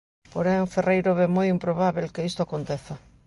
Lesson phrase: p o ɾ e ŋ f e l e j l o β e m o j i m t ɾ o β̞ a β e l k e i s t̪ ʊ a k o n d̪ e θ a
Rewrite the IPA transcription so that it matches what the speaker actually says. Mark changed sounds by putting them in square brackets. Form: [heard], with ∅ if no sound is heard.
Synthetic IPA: p o ɾ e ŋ f e [r] e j [ɾ] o β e m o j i m [p] ɾ o β̞ a β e l k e i s t̪ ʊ a k o n [t̪] e θ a